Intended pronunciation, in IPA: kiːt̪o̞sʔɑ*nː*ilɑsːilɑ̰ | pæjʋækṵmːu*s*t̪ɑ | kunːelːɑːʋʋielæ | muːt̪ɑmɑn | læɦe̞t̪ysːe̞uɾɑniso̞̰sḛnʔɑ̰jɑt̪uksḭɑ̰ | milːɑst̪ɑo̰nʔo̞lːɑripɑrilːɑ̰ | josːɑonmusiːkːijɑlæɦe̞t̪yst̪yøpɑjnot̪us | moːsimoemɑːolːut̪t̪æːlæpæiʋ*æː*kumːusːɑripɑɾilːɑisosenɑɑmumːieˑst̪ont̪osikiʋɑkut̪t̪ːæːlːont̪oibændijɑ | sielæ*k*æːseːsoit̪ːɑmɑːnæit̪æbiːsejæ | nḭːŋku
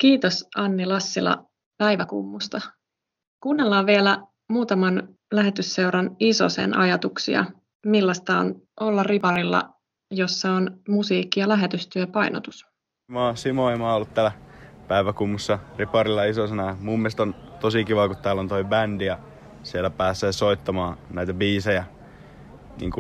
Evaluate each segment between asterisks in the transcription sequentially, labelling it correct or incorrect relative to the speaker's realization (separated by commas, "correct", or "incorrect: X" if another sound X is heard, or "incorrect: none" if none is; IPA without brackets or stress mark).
correct, correct, incorrect: æ, incorrect: p